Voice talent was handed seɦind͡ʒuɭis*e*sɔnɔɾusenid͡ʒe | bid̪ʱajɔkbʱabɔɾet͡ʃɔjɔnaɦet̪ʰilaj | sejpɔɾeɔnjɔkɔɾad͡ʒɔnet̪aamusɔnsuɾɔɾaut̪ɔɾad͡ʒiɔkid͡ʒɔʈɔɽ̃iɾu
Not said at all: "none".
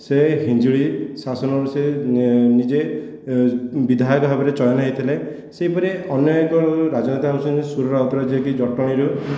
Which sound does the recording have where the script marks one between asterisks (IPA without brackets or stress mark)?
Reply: a